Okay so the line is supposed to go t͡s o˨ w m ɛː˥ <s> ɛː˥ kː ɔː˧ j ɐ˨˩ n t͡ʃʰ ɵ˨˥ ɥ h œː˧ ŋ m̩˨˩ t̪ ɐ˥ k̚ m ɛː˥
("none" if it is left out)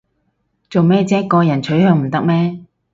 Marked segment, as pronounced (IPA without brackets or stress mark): t͡s